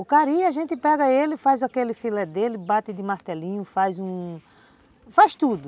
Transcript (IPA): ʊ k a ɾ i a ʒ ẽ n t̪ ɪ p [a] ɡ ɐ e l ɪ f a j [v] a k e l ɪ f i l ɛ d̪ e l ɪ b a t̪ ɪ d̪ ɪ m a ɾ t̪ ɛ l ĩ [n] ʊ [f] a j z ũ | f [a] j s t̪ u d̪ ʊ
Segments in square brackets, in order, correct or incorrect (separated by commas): incorrect, incorrect, incorrect, correct, correct